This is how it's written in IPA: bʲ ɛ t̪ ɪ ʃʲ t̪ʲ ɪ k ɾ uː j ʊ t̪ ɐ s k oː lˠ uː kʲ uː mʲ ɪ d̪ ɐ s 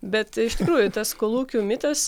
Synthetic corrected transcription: bʲ ɛ t̪ ɪ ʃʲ t̪ʲ ɪ k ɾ uː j ʊ t̪ ɐ s k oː lˠ uː kʲ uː mʲ ɪ t̪ ɐ s